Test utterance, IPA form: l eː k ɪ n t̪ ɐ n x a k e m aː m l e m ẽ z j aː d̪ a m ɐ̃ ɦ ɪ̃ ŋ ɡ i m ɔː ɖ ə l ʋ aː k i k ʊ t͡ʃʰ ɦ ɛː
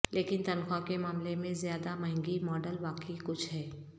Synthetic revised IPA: l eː k ɪ n t̪ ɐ n x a k e m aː m l e m ẽ z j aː d̪ a m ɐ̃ ɦ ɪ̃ ŋ ɡ i m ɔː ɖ ə l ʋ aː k i k ʊ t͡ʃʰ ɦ ɛː